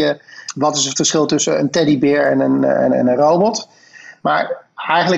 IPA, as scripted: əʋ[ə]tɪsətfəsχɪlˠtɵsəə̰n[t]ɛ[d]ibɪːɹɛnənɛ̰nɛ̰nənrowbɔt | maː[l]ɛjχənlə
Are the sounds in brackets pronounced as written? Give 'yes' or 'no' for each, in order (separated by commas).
no, yes, yes, no